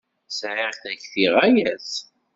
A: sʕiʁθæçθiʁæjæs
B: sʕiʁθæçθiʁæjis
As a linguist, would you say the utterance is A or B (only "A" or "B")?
A